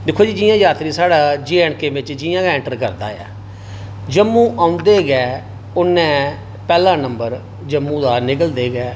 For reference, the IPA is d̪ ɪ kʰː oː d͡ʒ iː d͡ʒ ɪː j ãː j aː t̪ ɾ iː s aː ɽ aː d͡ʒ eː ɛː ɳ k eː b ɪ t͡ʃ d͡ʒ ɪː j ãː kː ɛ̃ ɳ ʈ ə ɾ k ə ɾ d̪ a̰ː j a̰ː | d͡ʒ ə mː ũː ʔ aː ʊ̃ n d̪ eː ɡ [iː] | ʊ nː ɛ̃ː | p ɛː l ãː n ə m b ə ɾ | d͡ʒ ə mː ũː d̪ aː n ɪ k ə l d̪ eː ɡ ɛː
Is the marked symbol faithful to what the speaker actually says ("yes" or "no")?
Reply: no